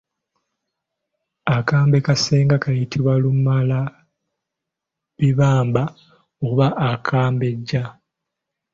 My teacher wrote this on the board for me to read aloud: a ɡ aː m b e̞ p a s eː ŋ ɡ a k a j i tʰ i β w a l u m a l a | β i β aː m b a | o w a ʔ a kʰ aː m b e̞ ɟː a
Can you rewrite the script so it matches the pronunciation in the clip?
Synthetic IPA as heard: a k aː m b e̞ k a s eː ŋ ɡ a k a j i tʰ i β w a l u m a l a | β i β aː m b a | o β a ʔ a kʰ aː m b e̞ ɟː a